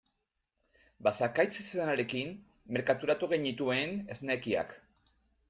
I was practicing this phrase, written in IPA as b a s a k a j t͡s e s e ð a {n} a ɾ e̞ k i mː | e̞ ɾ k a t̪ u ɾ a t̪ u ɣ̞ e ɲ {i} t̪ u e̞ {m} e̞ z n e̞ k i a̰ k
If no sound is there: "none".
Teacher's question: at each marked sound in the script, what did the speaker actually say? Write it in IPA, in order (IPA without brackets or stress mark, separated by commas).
n, i, n